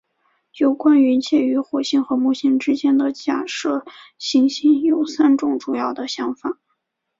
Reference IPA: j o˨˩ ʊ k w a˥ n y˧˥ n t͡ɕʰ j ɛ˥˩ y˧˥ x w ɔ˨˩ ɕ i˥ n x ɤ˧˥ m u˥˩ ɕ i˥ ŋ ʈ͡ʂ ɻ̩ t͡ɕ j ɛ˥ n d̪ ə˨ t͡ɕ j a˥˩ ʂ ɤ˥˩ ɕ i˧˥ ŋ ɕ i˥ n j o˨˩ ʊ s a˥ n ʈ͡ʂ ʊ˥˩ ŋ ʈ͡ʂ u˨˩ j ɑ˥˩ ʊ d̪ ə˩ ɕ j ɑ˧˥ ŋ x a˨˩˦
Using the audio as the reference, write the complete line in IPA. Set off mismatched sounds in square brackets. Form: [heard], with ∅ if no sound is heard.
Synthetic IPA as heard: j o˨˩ ʊ k w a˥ n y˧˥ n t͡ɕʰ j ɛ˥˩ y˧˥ x w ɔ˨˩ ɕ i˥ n x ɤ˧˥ m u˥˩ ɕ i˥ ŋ ʈ͡ʂ ɻ̩ t͡ɕ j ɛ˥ n d̪ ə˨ t͡ɕ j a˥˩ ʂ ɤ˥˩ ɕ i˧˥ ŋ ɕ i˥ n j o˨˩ ʊ s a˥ n ʈ͡ʂ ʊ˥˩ ŋ ʈ͡ʂ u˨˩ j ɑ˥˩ ʊ d̪ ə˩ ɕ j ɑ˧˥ ŋ [f] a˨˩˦

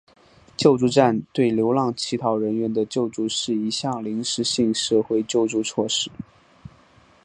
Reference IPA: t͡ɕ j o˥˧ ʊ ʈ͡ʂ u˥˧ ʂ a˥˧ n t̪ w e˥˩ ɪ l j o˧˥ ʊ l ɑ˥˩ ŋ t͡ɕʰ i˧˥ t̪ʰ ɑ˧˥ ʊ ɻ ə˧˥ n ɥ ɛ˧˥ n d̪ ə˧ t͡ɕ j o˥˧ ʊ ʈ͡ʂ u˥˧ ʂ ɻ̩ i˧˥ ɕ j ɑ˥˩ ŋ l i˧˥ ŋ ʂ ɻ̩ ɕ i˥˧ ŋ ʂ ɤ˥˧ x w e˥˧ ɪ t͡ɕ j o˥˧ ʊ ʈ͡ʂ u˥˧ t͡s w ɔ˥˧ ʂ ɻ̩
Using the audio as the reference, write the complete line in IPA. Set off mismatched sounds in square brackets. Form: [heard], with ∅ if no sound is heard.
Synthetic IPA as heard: t͡ɕ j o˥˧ ʊ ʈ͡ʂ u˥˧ [ʈ͡ʂ] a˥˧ n t̪ w e˥˩ ɪ l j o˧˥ ʊ l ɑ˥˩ ŋ t͡ɕʰ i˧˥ t̪ʰ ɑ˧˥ ʊ ɻ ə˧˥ n ɥ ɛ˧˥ n d̪ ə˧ t͡ɕ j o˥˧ ʊ ʈ͡ʂ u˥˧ ʂ ɻ̩ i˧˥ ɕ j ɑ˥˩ ŋ l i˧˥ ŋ ʂ ɻ̩ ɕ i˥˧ ŋ ʂ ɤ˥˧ x w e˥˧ ɪ t͡ɕ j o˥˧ ʊ ʈ͡ʂ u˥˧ [t͡sʰ] w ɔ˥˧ ʂ ɻ̩

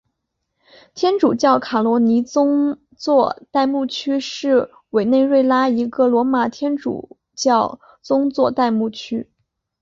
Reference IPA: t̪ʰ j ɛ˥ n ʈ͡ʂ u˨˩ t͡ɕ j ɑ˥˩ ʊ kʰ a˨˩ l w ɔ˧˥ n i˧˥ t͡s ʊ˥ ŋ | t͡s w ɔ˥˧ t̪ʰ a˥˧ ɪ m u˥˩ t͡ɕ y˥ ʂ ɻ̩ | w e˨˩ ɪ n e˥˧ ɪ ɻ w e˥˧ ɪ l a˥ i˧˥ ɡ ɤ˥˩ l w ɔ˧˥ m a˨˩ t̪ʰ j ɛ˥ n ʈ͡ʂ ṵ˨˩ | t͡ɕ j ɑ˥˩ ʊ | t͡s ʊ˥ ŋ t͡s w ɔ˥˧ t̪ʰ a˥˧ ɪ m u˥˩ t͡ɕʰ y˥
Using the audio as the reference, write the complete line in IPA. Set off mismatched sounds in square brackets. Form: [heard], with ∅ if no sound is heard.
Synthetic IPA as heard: t̪ʰ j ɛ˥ n ʈ͡ʂ u˨˩ t͡ɕ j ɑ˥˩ ʊ kʰ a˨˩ l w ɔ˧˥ n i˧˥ t͡s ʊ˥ ŋ | t͡s w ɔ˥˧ [t̪] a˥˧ ɪ m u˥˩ [t͡ɕʰ] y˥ ʂ ɻ̩ | w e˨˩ ɪ n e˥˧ ɪ ɻ w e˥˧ ɪ l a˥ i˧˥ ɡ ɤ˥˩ l w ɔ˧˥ m a˨˩ t̪ʰ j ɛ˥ n ʈ͡ʂ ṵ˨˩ | t͡ɕ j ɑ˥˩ ʊ | t͡s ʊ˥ ŋ t͡s w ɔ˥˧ [t̪] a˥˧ ɪ m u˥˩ t͡ɕʰ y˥

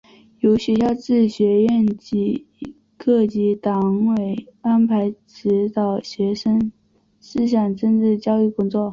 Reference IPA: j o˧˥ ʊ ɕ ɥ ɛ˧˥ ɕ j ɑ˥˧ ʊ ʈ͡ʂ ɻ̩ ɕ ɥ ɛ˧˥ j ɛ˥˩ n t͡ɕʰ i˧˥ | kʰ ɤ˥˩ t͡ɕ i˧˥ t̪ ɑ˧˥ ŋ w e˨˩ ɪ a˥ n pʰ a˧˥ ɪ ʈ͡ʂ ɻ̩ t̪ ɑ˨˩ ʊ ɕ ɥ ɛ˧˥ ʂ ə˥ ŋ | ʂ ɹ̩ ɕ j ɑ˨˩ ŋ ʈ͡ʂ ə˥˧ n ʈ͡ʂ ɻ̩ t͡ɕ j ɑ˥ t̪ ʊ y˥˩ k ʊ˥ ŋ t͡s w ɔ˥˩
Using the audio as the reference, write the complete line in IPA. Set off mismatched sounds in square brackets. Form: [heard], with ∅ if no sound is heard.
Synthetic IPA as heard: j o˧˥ ʊ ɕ ɥ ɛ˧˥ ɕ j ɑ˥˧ ʊ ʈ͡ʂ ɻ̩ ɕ ɥ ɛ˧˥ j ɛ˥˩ n [t͡ɕ] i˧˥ | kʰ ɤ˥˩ t͡ɕ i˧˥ t̪ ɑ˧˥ ŋ w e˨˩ ɪ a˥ n pʰ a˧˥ ɪ ʈ͡ʂ ɻ̩ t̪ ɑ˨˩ ʊ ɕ ɥ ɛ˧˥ ʂ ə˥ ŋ | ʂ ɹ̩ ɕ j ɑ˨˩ ŋ ʈ͡ʂ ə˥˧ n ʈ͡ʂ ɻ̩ t͡ɕ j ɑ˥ [∅] ʊ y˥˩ k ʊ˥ ŋ t͡s w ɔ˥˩

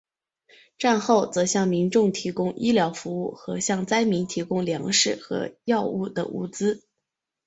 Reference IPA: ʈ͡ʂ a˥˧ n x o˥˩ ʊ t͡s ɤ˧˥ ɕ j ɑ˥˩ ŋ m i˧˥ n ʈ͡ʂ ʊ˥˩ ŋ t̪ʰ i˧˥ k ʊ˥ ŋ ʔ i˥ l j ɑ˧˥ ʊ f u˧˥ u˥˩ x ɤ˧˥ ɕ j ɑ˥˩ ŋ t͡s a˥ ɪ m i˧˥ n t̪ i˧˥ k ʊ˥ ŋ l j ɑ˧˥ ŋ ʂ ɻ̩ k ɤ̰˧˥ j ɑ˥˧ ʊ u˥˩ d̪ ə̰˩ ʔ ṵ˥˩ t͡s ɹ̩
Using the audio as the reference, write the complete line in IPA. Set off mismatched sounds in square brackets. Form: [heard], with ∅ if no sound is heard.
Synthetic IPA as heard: ʈ͡ʂ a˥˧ n x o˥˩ ʊ t͡s ɤ˧˥ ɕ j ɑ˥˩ ŋ m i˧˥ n ʈ͡ʂ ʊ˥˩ ŋ t̪ʰ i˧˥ k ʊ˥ ŋ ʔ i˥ l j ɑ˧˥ ʊ f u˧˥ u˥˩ x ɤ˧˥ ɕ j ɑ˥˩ ŋ t͡s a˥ ɪ m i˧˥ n [t̪ʰ] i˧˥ k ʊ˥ ŋ l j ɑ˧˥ ŋ ʂ ɻ̩ [x] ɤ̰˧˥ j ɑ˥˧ ʊ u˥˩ d̪ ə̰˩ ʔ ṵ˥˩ t͡s ɹ̩

